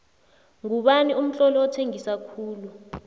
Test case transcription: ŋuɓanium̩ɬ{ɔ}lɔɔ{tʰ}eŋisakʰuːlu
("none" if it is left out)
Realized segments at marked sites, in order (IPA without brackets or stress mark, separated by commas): ɔ, tʰ